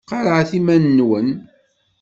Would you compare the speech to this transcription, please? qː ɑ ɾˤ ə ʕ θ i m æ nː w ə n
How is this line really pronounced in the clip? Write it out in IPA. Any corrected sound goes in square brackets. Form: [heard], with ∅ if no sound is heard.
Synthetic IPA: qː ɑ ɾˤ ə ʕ θ i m æ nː w ə n